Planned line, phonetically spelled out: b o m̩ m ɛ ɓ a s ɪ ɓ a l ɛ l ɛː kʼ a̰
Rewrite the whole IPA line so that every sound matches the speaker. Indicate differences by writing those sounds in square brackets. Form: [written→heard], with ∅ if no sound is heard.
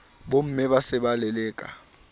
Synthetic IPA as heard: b o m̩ m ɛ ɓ a s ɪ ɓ a l ɛ l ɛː kʼ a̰